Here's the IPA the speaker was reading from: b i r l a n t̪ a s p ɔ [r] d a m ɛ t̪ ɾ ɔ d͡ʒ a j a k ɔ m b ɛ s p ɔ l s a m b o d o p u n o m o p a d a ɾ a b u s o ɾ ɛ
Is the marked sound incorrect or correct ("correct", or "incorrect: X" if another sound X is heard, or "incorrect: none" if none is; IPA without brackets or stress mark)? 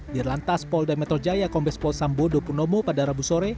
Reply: incorrect: l